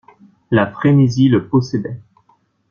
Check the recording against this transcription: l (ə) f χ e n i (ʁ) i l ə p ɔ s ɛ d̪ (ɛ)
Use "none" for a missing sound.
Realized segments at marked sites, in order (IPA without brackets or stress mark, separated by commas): a, z, ɛ